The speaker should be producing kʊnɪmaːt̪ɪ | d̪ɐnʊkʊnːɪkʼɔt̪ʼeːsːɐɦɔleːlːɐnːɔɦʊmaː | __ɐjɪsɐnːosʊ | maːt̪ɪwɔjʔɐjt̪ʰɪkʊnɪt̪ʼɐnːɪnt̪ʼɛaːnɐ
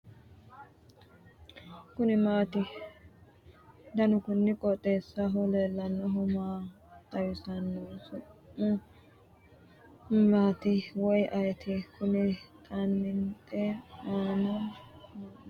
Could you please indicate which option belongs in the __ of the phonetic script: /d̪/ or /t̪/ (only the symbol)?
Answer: t̪